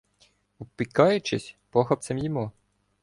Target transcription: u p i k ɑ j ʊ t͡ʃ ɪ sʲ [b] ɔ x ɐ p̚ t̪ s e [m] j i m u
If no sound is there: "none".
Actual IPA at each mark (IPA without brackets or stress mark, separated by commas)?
p, m